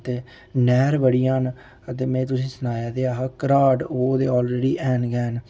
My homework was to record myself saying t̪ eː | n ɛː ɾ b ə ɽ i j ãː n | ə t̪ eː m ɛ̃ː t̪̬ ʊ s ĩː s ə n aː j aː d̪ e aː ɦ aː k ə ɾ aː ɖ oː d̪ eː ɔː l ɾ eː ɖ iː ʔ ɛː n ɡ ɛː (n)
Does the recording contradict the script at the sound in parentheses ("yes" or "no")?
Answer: no